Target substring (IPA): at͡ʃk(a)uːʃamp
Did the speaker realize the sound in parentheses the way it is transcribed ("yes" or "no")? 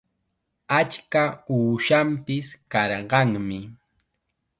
yes